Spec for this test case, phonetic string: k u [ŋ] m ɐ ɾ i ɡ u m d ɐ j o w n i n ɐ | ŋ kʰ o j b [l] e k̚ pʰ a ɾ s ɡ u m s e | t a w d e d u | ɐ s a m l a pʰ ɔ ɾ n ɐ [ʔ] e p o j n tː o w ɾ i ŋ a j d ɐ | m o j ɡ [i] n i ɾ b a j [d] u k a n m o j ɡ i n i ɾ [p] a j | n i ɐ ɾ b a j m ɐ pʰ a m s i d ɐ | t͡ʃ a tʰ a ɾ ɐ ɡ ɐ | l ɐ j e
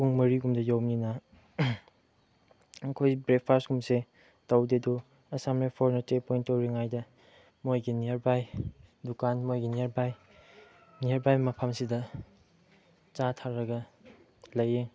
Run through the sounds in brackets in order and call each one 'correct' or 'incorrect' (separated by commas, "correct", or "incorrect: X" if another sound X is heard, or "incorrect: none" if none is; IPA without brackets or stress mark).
correct, incorrect: ɾ, incorrect: t, correct, correct, incorrect: b